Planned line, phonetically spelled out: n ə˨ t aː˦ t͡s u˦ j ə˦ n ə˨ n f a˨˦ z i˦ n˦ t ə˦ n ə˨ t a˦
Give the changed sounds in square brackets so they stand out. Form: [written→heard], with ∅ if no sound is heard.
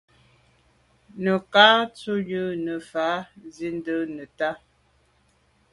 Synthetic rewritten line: n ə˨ [t→k] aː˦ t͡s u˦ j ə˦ n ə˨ [n→∅] f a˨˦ z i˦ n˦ [t→d] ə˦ n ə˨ t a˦